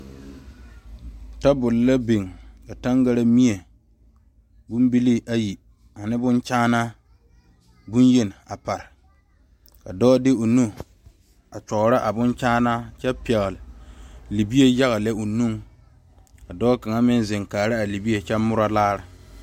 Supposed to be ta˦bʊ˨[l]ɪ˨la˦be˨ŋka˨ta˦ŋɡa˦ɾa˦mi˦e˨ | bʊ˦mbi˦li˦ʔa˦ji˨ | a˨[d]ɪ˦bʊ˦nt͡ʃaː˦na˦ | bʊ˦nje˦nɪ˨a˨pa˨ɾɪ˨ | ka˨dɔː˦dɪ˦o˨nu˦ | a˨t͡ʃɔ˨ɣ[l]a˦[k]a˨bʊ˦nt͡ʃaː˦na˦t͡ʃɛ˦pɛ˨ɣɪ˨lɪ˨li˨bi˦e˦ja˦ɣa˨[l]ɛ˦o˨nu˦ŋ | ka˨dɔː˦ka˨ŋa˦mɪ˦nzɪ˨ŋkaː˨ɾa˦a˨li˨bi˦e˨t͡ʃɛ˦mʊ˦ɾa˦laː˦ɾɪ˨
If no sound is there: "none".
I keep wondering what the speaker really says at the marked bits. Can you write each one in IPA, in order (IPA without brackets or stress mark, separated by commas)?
l, n, ɾ, ʔ, l